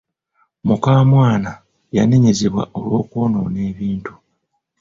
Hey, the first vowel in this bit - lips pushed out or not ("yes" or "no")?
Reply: yes